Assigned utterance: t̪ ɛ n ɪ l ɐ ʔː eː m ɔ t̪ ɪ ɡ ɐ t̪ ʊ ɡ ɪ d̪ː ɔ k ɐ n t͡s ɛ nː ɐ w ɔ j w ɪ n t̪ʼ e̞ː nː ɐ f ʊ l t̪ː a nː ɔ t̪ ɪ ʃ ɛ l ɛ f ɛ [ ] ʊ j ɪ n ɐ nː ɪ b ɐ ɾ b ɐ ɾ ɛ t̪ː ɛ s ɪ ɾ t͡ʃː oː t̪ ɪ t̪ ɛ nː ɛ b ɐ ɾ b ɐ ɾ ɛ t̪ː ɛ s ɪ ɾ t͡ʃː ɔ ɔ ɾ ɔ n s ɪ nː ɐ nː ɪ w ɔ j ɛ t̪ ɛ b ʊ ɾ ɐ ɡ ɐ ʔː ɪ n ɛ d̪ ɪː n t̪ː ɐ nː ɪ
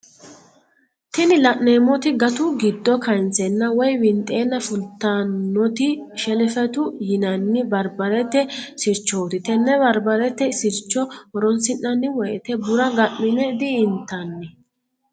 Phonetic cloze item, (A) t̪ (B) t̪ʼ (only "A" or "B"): A